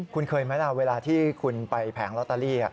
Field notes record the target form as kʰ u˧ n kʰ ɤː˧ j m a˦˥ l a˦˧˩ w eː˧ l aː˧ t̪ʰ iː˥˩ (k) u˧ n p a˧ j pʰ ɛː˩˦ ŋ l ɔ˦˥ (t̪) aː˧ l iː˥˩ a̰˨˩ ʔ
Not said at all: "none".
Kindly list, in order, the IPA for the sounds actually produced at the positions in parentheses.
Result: kʰ, t̪

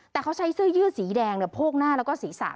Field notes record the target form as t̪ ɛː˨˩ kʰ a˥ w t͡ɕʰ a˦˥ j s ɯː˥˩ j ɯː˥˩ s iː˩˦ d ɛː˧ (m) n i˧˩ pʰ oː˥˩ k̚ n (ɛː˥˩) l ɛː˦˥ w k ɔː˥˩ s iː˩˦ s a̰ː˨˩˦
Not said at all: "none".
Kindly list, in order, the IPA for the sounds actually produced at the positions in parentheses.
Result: ŋ, aː˥˩

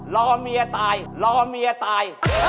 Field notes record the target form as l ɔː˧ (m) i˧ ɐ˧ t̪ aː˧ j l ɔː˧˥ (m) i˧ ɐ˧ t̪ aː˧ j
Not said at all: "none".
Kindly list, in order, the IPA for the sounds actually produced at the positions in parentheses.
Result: m, m

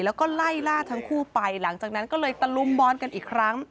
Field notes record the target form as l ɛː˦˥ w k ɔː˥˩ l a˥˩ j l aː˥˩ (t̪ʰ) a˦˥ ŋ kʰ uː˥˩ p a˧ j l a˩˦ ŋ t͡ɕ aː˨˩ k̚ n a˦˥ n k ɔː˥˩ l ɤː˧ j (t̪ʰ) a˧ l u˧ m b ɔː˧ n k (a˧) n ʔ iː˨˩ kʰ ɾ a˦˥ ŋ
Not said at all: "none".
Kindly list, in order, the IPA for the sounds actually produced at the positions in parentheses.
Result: t̪ʰ, t̪, a˧

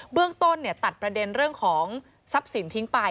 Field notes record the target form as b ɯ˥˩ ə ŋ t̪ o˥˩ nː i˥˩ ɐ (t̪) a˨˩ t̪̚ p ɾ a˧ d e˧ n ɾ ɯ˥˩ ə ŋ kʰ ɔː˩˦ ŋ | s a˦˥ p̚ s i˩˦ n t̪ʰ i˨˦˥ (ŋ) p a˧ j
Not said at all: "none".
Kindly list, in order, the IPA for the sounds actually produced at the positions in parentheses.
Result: t̪, ŋ

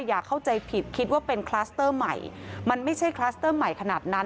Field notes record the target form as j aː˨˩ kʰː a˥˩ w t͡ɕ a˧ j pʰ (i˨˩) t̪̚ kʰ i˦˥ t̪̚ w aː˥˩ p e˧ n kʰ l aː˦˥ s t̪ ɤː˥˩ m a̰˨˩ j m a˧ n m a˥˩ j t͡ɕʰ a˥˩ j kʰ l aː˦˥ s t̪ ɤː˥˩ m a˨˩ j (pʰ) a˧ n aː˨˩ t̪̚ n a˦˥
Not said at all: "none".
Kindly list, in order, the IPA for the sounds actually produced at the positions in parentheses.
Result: i˨˩, kʰ

